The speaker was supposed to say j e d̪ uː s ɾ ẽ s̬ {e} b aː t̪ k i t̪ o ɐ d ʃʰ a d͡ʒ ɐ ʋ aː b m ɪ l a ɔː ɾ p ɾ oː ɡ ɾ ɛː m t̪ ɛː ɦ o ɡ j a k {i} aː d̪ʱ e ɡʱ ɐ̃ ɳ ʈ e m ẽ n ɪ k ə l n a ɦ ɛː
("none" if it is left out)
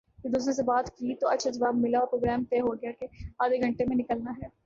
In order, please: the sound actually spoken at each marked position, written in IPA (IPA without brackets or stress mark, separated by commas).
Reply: e, e